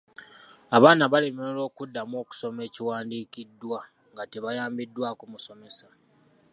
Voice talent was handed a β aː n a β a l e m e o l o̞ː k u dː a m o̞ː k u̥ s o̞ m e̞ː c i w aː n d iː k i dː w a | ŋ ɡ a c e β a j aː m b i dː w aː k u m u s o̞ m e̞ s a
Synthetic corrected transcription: a β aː n a β a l e m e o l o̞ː k u dː a m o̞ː k u̥ s o̞ m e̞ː c i w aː n d iː k i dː w a | ŋ ɡ a t e β a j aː m b i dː w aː k u m u s o̞ m e̞ s a